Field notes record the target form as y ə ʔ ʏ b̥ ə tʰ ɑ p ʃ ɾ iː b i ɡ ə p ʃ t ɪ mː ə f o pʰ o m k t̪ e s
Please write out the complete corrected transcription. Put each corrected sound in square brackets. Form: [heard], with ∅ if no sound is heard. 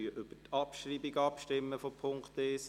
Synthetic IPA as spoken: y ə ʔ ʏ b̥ ə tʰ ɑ p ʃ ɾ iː b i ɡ [ɑ] p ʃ t ɪ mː ə f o pʰ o [ŋ] k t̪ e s